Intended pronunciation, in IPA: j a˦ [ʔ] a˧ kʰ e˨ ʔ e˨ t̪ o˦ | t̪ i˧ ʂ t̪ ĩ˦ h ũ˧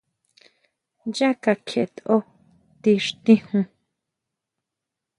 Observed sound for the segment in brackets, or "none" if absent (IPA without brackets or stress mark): k